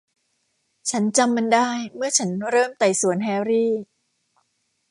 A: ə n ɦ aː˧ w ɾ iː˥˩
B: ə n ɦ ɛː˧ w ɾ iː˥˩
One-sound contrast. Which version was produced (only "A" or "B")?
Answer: B